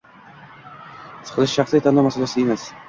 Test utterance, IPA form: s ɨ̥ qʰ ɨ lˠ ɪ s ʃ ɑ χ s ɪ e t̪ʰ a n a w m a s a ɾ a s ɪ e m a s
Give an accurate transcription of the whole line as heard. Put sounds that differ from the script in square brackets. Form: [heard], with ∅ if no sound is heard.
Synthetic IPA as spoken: s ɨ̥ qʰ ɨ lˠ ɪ [ʃ] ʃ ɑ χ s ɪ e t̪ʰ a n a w m a s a [l] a s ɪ e m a s